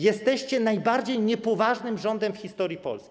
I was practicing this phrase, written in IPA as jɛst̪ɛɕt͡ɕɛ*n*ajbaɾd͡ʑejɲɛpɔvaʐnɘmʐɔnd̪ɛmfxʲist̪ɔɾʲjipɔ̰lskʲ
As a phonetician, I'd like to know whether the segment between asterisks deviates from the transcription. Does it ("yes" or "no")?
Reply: no